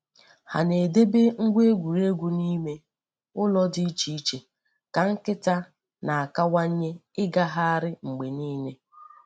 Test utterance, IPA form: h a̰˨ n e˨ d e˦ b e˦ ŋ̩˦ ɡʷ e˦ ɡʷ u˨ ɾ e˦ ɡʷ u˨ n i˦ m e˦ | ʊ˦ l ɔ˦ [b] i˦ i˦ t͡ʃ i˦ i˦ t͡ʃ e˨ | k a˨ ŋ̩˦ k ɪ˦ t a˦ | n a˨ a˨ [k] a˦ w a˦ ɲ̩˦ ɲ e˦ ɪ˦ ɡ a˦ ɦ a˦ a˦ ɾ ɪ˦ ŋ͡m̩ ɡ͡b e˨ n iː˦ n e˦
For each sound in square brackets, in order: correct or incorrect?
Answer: incorrect, correct

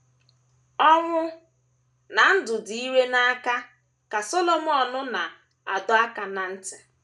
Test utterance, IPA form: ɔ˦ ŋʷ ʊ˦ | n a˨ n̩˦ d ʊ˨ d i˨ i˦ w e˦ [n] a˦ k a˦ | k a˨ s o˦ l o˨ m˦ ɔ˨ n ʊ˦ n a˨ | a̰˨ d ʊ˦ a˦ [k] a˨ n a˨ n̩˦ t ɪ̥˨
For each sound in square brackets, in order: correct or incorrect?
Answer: correct, correct

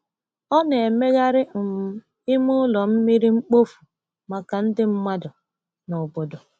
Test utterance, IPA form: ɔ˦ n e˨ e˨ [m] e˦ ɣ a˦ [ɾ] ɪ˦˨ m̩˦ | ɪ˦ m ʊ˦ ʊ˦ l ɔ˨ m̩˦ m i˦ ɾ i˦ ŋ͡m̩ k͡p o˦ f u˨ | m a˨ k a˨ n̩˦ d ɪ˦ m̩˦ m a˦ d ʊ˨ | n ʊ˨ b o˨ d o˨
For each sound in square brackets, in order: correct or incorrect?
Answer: correct, correct

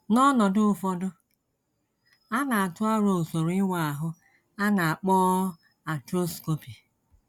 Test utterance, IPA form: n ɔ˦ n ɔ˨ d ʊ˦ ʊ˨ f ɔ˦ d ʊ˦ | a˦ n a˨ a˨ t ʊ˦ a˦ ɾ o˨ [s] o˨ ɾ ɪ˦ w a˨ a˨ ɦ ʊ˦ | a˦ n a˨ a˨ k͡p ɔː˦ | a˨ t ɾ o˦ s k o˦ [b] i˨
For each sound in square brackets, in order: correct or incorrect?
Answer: correct, incorrect

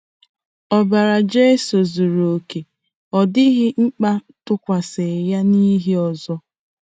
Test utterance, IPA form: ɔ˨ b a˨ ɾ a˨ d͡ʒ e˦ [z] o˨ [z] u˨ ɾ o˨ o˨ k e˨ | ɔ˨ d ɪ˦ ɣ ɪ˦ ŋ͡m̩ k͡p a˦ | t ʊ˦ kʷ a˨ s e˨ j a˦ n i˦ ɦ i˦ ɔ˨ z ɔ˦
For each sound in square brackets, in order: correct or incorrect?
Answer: incorrect, correct

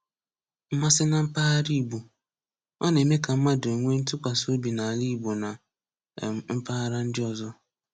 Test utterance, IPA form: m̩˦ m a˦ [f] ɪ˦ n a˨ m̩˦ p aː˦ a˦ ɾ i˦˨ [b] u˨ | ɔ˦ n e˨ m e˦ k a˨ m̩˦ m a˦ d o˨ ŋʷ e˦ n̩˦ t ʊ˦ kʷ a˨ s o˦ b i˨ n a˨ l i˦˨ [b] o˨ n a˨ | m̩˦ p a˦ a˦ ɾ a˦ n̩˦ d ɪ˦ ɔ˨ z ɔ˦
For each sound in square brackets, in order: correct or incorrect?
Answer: incorrect, correct, correct

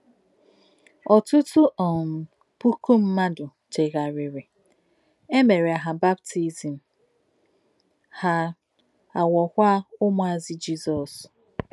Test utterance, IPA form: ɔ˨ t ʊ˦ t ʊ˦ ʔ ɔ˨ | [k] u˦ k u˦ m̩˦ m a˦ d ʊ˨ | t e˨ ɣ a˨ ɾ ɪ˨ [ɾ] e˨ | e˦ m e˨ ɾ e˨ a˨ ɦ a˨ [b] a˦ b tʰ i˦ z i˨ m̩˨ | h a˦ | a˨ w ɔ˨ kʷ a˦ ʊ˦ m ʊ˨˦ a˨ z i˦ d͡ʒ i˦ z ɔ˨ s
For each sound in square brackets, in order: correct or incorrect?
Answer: incorrect, correct, correct

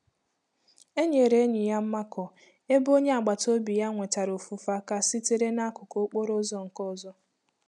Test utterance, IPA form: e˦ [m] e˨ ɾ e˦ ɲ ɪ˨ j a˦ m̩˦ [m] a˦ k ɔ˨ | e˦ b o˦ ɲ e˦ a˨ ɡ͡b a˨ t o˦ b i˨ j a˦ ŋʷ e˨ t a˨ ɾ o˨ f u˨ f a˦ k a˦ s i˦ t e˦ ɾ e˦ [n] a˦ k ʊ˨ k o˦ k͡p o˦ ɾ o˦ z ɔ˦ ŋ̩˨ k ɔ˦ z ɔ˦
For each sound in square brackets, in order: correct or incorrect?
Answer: incorrect, correct, correct

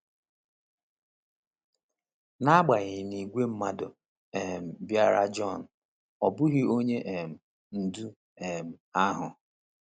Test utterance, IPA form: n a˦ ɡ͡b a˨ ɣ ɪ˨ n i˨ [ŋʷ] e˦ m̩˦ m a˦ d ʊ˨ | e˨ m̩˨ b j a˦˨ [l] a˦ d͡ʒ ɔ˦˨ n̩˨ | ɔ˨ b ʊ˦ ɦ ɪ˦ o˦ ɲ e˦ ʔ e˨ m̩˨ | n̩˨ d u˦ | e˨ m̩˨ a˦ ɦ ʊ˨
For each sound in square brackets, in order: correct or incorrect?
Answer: incorrect, incorrect

